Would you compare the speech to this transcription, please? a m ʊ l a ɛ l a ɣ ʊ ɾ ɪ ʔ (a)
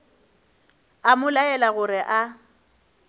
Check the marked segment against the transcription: correct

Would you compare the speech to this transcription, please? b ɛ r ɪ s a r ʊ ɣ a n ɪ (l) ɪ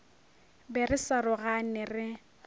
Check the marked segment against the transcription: incorrect: r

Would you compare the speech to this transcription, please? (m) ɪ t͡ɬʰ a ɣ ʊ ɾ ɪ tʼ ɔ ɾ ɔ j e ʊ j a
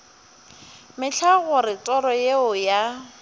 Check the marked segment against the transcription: correct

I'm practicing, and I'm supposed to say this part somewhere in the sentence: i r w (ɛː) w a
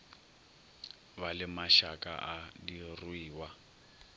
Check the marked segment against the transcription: incorrect: iː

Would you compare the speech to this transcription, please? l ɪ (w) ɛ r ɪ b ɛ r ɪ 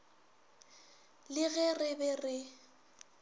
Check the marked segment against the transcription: incorrect: ɣ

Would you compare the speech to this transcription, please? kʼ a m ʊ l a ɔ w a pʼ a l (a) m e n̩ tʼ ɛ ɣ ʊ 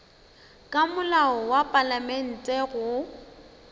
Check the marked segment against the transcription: correct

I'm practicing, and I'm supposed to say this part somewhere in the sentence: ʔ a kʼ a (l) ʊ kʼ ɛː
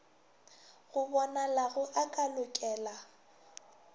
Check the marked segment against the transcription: correct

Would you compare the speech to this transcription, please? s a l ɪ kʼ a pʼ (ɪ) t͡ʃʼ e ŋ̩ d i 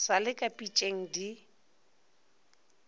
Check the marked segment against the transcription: incorrect: i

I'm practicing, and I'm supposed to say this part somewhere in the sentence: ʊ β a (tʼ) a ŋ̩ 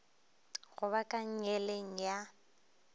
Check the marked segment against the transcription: incorrect: kʼ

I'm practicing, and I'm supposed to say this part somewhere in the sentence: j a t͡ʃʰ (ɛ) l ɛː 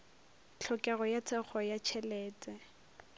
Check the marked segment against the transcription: correct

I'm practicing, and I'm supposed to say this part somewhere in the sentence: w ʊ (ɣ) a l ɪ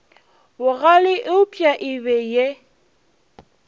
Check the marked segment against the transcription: correct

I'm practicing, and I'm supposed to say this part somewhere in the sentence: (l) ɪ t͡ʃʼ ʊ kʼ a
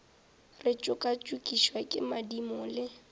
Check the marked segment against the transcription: incorrect: r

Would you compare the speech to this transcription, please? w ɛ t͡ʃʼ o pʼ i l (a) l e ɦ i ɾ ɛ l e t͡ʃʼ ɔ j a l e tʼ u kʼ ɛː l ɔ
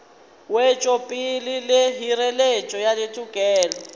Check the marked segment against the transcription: incorrect: i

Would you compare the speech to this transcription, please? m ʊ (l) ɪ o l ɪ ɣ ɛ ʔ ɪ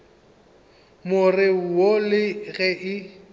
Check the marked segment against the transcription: incorrect: r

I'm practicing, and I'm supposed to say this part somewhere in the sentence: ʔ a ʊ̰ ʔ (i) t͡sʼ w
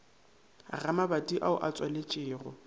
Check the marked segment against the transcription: incorrect: a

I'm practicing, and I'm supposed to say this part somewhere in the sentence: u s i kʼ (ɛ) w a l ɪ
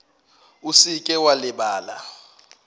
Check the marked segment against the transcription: correct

